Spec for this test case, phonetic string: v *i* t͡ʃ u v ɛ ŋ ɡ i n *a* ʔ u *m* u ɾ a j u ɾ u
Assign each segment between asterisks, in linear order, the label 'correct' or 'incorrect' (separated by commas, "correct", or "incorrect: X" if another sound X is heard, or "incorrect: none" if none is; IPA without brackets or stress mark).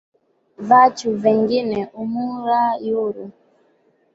incorrect: a, incorrect: ɛ, correct